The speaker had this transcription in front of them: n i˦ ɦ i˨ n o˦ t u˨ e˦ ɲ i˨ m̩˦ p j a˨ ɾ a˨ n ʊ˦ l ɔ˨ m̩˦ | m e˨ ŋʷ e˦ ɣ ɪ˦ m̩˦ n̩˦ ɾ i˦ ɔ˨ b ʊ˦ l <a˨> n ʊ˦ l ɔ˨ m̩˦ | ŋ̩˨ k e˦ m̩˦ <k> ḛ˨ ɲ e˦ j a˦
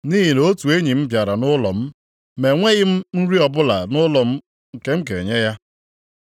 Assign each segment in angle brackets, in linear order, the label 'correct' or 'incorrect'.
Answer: correct, correct

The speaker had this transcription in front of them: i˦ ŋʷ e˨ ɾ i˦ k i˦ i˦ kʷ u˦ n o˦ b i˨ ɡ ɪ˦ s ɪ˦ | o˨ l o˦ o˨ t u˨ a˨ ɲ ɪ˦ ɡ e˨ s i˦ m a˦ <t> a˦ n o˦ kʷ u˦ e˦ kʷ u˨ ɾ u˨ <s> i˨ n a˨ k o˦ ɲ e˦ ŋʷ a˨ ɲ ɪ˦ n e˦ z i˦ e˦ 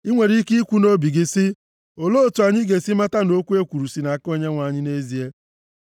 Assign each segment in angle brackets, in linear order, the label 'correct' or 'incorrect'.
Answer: correct, correct

